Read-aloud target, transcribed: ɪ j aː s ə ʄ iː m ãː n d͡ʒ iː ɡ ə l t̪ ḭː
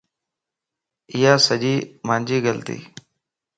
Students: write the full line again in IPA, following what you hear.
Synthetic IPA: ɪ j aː s ə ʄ iː m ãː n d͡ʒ iː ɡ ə l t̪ ḭː